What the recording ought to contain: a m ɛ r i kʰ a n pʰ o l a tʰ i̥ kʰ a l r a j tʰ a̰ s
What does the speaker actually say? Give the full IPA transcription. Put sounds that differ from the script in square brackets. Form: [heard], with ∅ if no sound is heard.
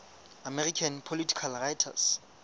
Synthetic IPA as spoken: a m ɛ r i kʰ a n pʰ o l [i] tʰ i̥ kʰ a l r a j tʰ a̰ s